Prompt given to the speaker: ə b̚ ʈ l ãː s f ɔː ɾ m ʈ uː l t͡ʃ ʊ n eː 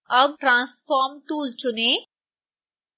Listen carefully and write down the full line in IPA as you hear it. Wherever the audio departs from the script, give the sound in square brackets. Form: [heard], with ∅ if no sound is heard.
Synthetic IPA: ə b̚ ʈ [ɾ] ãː s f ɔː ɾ m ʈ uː l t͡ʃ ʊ n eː